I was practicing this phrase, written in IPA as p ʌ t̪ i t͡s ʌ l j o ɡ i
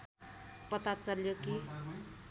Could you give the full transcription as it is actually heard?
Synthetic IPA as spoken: p ʌ t̪ a t͡s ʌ l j o k i